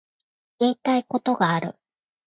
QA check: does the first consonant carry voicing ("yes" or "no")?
no